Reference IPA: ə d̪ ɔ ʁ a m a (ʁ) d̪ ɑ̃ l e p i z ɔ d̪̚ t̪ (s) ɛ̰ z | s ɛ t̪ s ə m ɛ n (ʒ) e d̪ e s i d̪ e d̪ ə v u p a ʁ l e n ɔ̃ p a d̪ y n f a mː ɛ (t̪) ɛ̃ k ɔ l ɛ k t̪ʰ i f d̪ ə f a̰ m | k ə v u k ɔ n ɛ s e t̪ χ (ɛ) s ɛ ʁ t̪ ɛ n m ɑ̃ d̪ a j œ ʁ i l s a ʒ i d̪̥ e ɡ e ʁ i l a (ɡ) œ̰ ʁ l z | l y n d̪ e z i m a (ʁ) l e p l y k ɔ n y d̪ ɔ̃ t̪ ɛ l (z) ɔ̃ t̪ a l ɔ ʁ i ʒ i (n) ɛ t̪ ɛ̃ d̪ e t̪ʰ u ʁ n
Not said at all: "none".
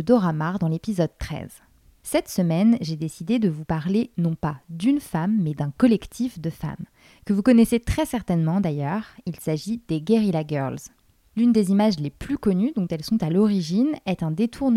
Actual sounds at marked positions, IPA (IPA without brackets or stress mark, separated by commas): ʁ, χ, ʒ, d̪, ɛ, ɡ, ʒ, s, n